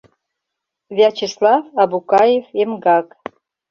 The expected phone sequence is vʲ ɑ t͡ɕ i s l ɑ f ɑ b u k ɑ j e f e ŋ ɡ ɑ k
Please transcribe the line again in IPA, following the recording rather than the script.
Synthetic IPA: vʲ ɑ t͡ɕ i s l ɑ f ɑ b u k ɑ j e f e m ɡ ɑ k